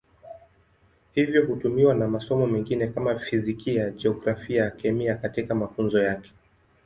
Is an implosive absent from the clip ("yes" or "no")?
yes